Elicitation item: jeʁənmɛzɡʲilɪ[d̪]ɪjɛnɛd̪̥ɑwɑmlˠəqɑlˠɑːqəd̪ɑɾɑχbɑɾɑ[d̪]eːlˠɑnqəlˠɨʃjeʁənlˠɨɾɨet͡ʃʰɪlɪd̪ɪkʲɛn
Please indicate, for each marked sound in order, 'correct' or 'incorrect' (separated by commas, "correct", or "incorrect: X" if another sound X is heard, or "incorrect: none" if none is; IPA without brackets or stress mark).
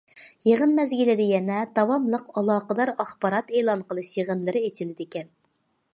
correct, incorrect: t̪